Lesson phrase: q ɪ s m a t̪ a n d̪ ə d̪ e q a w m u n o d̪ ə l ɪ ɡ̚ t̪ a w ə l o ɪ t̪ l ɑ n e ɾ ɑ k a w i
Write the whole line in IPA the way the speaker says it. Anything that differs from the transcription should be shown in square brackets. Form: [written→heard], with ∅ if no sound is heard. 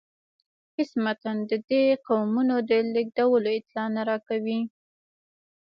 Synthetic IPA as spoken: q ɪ s m a t̪ a n d̪ ə d̪ e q a w m u n o d̪ ə l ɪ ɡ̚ [t̪→d̪] a w ə l o ɪ t̪ l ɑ n [e→a] ɾ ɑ k a w i